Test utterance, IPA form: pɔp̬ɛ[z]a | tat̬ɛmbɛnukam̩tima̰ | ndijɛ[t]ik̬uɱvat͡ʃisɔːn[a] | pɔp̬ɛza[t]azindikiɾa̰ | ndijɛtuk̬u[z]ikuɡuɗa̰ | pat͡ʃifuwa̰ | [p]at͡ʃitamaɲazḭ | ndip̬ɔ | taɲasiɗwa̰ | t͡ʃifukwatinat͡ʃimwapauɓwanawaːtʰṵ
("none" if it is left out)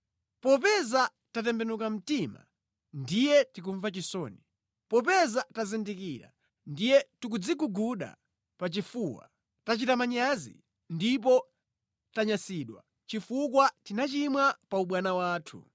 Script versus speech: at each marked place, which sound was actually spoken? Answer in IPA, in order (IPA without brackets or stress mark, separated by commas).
z, t, i, t, d͡z, t